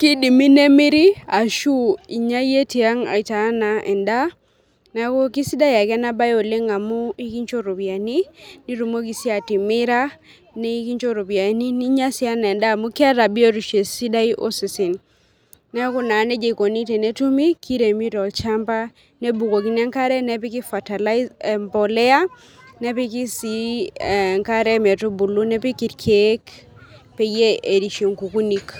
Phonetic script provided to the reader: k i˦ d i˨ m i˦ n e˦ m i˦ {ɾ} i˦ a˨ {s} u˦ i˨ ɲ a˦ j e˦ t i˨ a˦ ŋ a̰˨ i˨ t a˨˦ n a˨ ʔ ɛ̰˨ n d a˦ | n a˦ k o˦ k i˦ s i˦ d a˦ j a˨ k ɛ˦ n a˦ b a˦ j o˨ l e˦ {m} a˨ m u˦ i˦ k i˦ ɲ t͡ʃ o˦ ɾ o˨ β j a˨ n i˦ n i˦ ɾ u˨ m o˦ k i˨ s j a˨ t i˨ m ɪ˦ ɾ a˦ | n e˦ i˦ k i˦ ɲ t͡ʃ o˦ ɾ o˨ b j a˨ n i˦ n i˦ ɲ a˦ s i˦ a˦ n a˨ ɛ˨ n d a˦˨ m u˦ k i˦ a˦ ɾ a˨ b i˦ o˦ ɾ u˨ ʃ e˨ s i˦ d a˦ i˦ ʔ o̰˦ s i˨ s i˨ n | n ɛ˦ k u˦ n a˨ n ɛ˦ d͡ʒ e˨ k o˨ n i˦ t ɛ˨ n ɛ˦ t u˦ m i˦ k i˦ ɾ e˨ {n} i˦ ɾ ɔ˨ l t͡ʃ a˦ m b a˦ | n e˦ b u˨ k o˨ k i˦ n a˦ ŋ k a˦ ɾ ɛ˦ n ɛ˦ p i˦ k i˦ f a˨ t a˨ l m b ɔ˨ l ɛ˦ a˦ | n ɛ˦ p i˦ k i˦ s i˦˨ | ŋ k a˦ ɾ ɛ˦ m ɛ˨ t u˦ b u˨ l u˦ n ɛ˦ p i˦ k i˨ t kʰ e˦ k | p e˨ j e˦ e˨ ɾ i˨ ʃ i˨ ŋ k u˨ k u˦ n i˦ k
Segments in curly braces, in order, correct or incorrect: correct, incorrect: ʃ, incorrect: ŋ, incorrect: m

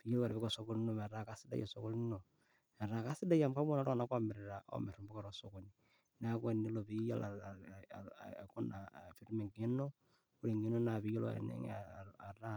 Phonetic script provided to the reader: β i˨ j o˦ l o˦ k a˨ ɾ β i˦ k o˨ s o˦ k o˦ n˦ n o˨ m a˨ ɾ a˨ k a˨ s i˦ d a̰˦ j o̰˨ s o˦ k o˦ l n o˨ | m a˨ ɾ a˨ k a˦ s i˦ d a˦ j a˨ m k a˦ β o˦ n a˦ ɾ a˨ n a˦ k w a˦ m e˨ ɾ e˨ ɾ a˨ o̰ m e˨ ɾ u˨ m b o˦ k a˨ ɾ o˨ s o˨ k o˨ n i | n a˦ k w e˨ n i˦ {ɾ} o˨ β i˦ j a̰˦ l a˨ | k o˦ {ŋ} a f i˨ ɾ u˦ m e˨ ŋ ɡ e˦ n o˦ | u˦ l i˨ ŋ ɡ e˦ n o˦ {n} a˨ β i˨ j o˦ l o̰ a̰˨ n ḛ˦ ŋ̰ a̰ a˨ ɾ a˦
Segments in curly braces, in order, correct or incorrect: incorrect: l, incorrect: n, correct

